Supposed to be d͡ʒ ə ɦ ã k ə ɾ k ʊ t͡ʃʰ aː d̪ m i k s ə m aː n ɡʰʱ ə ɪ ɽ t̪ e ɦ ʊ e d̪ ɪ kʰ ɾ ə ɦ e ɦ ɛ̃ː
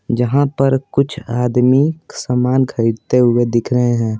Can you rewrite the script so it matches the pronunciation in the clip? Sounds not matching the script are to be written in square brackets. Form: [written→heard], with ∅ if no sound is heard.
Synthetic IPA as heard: d͡ʒ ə ɦ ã [k→p] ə ɾ k ʊ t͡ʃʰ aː d̪ m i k s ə m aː n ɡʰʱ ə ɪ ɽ t̪ e ɦ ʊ e d̪ ɪ kʰ ɾ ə ɦ e ɦ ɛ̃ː